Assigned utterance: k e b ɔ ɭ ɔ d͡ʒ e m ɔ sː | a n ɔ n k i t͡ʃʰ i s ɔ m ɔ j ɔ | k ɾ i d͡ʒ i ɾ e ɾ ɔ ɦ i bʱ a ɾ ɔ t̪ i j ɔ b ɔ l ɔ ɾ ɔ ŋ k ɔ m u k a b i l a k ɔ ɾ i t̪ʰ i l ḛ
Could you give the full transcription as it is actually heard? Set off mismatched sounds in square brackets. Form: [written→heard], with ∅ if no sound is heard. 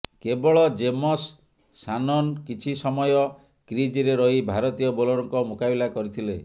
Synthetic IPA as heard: k e b ɔ ɭ ɔ d͡ʒ e m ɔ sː | a n ɔ n k i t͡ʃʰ i s ɔ m ɔ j ɔ | k ɾ i d͡ʒ i ɾ e ɾ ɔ ɦ i bʱ a ɾ ɔ t̪ i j ɔ b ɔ l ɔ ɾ ɔ ŋ k ɔ m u k a b i l a k ɔ ɾ i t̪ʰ i l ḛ